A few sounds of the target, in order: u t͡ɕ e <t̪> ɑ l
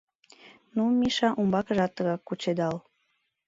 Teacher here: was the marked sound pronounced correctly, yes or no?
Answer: no